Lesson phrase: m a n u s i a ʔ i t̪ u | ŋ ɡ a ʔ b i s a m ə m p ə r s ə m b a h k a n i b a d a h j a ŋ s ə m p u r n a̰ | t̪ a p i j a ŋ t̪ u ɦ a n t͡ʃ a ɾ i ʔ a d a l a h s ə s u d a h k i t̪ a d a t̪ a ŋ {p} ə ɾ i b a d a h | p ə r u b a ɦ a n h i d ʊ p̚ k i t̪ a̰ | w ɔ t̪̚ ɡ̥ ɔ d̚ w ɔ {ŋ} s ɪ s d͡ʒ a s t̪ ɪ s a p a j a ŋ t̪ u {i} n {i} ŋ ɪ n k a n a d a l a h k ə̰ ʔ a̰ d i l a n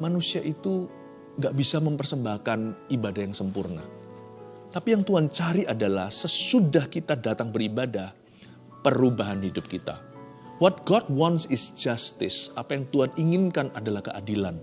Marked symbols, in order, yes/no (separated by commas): no, no, no, yes